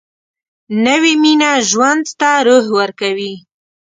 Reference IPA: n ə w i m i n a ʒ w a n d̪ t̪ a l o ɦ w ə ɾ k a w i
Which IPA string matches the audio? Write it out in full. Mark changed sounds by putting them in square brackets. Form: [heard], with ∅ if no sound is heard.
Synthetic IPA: n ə w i m i n a ʒ w a n d̪ t̪ a [ɾ] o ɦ w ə ɾ k a w i